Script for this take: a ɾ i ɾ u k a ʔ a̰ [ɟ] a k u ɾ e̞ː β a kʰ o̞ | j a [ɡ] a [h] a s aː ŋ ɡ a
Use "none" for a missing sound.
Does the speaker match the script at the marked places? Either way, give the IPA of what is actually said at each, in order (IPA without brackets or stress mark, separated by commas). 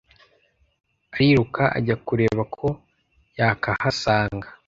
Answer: ɟ, k, h